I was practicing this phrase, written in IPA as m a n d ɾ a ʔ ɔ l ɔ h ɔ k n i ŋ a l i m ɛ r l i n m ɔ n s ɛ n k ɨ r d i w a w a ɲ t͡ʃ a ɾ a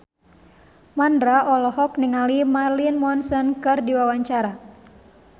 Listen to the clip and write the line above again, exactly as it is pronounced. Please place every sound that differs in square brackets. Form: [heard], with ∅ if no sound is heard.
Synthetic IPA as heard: m a n d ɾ a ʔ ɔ l ɔ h ɔ k n i ŋ a l i m [a] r l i n m ɔ n s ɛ n k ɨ r d i w a w a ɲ t͡ʃ a ɾ a